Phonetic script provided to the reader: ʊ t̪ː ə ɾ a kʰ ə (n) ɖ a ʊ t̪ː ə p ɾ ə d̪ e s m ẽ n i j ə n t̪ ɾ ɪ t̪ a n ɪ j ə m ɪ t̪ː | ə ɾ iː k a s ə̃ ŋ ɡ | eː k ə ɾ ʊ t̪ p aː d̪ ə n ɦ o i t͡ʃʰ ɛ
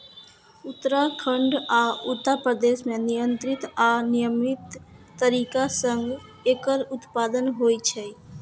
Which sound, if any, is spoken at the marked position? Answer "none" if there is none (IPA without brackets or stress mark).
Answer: ɳ